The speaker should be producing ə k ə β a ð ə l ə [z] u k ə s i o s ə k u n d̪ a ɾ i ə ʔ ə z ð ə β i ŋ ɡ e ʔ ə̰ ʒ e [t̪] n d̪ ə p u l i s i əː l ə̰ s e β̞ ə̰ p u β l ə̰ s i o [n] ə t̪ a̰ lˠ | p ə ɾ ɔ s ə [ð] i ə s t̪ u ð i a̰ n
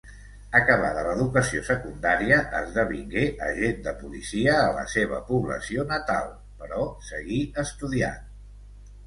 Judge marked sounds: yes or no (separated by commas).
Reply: no, no, yes, no